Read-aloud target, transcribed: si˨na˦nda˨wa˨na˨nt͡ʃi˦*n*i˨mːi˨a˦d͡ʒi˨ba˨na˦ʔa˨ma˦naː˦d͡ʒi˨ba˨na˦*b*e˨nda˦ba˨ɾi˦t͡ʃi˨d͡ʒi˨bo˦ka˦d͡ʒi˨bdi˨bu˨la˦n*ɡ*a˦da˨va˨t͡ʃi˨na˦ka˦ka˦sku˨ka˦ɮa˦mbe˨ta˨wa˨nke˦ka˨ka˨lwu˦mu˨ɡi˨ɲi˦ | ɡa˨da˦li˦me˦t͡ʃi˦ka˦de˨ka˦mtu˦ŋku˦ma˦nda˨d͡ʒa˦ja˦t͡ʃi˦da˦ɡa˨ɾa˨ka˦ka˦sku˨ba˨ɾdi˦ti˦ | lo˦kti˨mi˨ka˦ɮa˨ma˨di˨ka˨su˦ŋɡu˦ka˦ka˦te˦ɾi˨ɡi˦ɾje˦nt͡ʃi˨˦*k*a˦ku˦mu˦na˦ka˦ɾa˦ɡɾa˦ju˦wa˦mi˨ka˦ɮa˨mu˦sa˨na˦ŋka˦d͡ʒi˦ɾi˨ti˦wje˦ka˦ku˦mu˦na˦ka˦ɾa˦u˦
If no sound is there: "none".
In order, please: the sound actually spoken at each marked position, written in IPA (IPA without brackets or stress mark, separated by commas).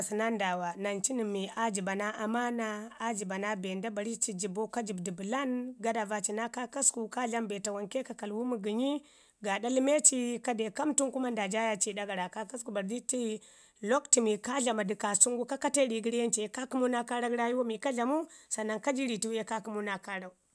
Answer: n, b, ɡ, k